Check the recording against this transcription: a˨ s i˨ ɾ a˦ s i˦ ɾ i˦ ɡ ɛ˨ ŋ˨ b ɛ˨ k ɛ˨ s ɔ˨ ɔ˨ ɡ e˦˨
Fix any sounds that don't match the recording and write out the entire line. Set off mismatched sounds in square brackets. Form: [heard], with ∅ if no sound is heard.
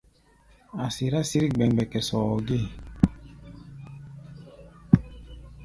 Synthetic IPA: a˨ s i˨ ɾ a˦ s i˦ ɾ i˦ [ɡ͡b] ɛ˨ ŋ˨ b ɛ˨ k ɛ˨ s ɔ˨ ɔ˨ ɡ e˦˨